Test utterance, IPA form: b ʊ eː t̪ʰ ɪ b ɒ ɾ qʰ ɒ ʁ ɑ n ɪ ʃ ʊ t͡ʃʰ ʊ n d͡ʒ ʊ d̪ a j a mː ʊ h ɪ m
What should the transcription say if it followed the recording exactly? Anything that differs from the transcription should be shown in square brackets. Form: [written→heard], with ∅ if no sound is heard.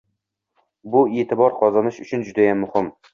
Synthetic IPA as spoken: b ʊ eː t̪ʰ ɪ b ɒ ɾ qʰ ɒ [ʁ→z] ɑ n ɪ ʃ ʊ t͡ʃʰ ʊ n d͡ʒ ʊ d̪ a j a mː ʊ h ɪ m